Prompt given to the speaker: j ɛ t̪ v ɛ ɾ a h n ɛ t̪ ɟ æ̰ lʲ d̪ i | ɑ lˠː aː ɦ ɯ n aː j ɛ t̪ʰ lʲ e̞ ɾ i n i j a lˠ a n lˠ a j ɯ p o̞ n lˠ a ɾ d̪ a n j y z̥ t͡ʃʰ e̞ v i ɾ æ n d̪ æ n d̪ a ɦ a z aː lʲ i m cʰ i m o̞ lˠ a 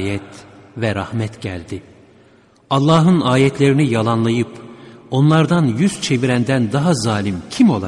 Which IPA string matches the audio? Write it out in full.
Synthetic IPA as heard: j ɛ t̪ v ɛ ɾ a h m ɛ t̪ ɟ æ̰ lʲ d̪ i | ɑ lˠː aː ɦ ɯ n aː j ɛ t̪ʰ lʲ e̞ ɾ i n i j a lˠ a n lˠ a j ɯ p o̞ n lˠ a ɾ d̪ a n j y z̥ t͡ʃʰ e̞ v i ɾ æ n d̪ æ n d̪ a ɦ a z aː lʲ i m cʰ i m o̞ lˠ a